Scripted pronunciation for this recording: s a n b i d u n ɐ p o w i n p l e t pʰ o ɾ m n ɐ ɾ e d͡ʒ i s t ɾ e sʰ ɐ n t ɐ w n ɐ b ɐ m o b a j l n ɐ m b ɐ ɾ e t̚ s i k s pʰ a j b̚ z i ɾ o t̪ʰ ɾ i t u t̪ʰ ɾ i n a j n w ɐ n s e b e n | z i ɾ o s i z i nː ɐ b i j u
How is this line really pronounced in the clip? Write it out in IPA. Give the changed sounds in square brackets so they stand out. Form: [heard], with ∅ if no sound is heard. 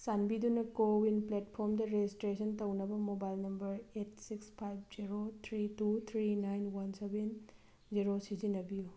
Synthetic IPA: s a n b i d u n ɐ [k] o w i n p l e t pʰ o ɾ m [d] ɐ ɾ e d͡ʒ i s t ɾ e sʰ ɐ n t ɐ w n ɐ b ɐ m o b a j l n ɐ m b ɐ ɾ e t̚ s i k s pʰ a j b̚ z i ɾ o t̪ʰ ɾ i t u t̪ʰ ɾ i n a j n w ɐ n s e b e n | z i ɾ o s i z i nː ɐ b i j u